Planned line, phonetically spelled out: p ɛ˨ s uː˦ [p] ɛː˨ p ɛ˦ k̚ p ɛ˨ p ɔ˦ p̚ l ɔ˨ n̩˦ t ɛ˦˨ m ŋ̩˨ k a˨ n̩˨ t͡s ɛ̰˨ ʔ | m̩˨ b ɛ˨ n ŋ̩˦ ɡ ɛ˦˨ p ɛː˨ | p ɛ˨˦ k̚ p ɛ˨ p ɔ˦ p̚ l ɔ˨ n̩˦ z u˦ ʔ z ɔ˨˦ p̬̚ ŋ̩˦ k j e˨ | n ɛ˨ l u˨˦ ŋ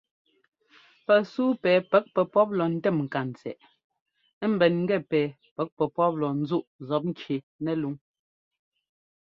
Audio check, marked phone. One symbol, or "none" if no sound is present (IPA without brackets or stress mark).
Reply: p